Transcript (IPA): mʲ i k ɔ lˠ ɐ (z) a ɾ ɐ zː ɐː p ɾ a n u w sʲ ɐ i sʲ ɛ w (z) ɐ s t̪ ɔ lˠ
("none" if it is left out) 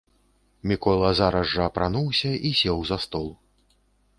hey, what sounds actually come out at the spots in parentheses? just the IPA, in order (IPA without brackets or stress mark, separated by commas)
z, z